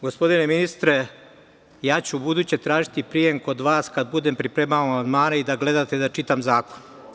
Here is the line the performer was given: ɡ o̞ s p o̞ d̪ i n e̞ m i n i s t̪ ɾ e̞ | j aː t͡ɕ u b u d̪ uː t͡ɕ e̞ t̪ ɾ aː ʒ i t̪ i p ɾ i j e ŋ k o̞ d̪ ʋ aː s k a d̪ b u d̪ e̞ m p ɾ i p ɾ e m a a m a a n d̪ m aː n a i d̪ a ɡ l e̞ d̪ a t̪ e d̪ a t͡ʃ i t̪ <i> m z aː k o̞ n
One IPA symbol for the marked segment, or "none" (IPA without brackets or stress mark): a